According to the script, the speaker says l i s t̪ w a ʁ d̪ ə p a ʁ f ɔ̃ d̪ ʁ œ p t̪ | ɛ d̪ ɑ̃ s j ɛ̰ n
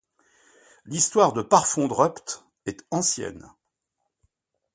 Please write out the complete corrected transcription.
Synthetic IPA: l i s t̪ w a ʁ d̪ ə p a ʁ f ɔ̃ d̪ ʁ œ p t̪ | ɛ t̪ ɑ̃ s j ɛ̰ n